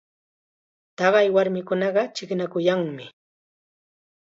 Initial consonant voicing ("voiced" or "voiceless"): voiceless